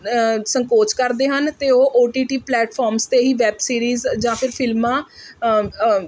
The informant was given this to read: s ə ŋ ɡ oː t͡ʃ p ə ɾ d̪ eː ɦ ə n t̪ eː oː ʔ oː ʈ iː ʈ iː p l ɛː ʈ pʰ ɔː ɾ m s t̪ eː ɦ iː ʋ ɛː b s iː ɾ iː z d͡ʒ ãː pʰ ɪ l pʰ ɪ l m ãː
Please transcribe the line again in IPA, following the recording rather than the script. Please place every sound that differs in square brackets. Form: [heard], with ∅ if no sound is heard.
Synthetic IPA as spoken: s ə ŋ [k] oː t͡ʃ [k] ə ɾ d̪ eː ɦ ə n t̪ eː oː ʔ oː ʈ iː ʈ iː p l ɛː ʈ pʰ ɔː ɾ m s t̪ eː ɦ iː ʋ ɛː b s iː ɾ iː z d͡ʒ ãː pʰ ɪ [ɾ] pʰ ɪ l m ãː